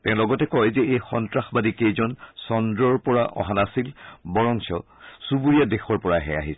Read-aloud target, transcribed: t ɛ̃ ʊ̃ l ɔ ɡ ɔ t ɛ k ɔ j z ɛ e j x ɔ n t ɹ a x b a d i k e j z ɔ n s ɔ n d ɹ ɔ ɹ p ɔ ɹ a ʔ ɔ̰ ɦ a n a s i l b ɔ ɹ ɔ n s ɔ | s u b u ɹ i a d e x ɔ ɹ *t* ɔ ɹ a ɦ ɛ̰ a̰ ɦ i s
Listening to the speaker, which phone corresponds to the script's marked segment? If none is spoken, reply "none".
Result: p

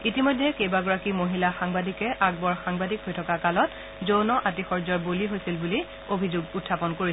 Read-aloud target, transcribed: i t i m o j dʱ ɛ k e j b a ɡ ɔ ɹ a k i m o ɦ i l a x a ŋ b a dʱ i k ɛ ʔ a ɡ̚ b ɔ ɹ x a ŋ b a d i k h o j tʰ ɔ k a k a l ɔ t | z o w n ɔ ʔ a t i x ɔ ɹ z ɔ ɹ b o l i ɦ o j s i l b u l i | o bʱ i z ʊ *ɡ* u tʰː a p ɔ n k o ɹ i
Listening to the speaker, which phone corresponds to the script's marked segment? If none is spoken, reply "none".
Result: ɡ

